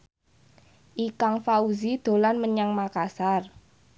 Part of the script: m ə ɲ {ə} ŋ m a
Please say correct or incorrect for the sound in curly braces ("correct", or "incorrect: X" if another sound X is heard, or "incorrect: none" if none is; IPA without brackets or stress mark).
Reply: incorrect: a